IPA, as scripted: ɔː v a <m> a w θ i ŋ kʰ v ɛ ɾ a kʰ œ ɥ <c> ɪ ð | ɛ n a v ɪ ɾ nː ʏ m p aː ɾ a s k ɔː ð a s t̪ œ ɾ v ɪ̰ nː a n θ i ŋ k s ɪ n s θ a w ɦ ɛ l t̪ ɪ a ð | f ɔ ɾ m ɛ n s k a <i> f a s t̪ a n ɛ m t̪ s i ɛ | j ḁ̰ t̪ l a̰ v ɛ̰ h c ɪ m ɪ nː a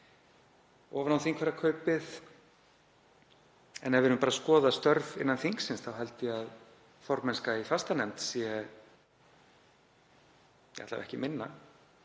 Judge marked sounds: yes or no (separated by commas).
no, no, yes